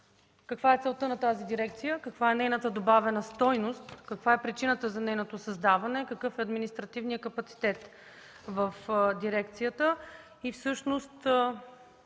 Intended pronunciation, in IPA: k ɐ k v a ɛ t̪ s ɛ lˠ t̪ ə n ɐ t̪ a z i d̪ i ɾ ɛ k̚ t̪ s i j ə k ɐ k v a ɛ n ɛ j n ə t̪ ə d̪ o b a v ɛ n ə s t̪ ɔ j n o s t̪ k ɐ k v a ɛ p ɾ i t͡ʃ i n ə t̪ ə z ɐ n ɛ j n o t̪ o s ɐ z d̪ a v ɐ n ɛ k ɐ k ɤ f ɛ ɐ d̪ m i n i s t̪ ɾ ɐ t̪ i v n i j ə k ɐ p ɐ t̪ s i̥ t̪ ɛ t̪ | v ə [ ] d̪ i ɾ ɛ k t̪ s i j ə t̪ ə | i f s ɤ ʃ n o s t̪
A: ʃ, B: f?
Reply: B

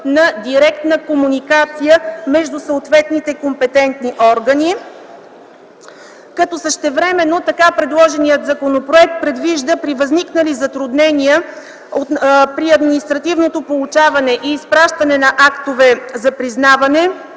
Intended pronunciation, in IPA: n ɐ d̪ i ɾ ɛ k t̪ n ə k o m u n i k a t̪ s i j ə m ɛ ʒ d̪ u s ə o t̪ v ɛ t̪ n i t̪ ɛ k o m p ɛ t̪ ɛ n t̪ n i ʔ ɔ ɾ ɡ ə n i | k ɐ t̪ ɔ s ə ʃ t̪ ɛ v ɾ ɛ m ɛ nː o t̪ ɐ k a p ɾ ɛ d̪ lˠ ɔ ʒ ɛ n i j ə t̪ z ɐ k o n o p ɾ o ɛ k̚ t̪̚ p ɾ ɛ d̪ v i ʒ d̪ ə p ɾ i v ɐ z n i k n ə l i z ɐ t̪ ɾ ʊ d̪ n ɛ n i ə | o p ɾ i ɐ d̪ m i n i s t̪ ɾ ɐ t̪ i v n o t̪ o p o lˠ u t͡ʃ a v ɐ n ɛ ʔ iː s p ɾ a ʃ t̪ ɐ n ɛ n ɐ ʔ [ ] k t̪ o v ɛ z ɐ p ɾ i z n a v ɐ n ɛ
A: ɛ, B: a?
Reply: B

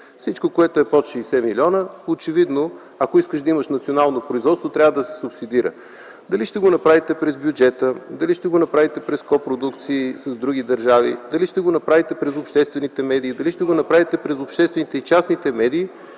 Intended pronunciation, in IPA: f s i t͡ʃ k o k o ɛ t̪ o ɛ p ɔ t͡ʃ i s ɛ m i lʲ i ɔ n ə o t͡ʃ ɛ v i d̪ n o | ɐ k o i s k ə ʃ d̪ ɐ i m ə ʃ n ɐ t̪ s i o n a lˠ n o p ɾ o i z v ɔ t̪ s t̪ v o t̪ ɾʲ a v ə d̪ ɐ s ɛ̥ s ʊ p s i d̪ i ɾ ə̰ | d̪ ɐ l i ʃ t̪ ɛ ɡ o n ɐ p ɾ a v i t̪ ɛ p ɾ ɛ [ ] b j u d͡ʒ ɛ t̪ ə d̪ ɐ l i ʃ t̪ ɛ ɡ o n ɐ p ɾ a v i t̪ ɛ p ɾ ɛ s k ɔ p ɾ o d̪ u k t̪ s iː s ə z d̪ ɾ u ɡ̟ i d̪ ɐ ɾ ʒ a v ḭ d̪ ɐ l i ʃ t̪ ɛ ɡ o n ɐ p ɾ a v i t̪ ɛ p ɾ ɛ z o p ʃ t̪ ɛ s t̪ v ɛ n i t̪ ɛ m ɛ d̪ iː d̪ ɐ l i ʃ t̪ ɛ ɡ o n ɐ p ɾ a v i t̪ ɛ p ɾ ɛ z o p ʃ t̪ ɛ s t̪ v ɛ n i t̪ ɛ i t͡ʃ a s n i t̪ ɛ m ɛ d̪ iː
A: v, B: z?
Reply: B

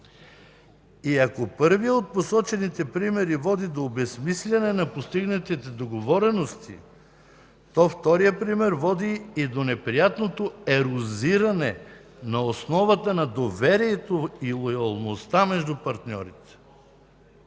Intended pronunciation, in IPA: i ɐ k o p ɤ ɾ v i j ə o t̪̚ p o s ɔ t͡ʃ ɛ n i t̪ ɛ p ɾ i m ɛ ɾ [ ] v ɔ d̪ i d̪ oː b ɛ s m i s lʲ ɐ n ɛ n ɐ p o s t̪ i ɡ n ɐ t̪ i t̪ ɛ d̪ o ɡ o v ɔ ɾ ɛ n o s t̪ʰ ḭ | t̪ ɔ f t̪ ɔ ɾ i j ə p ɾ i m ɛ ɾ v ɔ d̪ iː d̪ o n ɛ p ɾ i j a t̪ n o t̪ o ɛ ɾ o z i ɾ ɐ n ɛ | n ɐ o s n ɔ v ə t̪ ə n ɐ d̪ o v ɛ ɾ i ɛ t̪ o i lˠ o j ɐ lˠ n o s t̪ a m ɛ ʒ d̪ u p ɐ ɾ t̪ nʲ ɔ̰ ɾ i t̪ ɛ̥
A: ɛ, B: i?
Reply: B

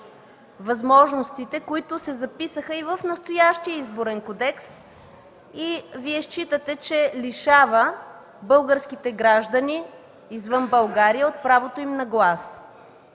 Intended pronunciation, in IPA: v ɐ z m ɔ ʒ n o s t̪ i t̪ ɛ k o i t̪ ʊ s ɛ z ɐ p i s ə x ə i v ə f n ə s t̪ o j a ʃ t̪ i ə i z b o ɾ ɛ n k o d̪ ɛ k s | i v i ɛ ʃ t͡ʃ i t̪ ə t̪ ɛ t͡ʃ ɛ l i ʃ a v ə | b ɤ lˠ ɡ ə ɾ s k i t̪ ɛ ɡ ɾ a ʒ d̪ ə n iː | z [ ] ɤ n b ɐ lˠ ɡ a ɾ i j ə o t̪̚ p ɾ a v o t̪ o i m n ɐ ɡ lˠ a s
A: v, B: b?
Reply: A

